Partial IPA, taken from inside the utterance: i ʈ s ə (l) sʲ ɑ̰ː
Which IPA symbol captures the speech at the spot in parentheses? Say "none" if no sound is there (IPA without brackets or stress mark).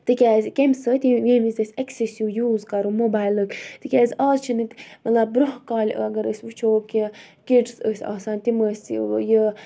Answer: none